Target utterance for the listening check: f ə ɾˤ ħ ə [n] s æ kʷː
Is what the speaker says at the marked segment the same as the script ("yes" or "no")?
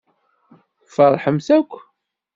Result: no